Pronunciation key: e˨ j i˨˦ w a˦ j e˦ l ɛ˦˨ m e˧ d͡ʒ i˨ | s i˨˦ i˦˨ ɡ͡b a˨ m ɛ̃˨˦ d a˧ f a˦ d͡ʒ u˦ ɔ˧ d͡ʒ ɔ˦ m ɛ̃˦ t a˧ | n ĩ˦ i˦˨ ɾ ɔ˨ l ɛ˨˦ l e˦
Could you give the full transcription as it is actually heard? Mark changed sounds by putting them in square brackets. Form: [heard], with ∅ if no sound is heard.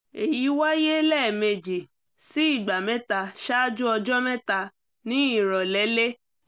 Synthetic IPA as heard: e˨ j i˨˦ w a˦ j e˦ l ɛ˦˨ m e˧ d͡ʒ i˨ | s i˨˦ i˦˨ ɡ͡b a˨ m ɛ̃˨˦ [t] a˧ [ʃ] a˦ d͡ʒ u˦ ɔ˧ d͡ʒ ɔ˦ m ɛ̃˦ t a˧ | n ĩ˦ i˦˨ ɾ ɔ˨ l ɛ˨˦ l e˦